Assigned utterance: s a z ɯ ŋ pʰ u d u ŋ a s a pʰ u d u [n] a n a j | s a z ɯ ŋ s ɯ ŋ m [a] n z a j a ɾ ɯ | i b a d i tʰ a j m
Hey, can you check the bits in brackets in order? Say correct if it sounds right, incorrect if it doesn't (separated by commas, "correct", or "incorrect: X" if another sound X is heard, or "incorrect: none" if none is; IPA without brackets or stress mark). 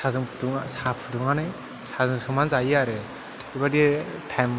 incorrect: ŋ, correct